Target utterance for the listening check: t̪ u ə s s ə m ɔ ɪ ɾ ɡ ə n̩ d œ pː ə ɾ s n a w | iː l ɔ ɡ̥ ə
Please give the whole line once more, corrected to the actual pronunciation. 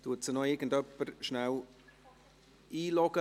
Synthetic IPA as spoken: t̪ u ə t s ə n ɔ ɪ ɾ ɡ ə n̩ d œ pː ə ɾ ʃ n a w | iː l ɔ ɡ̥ ə